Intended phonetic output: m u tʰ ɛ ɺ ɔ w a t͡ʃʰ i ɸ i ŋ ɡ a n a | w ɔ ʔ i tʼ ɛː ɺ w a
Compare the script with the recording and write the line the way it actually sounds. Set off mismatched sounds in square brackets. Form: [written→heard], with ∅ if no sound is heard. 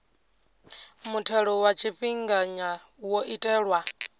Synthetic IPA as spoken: m u tʰ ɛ ɺ ɔ w a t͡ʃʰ i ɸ i ŋ ɡ a [n→ɲ] a | w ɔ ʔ i tʼ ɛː ɺ w a